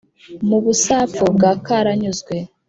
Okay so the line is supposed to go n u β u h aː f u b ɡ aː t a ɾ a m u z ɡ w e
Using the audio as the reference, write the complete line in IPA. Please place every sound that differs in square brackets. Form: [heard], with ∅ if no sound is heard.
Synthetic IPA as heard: [m] u β u [s] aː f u b ɡ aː [k] a ɾ a [ɲ] u z ɡ w e